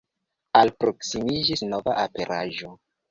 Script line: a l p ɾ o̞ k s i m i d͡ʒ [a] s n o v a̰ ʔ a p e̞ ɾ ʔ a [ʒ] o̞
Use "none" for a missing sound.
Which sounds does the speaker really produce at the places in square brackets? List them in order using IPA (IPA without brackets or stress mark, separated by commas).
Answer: i, ʒ